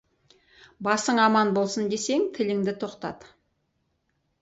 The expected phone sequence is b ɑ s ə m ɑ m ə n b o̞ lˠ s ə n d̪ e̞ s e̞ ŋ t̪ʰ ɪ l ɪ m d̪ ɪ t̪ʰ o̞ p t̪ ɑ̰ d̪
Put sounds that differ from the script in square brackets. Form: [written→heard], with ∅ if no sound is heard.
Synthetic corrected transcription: b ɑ s ə [m→ɴ] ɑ m [ə→ɑ] n b o̞ lˠ s ə n d̪ e̞ s e̞ ŋ t̪ʰ ɪ l ɪ [m→ŋ] d̪ ɪ t̪ʰ o̞ [p→q] t̪ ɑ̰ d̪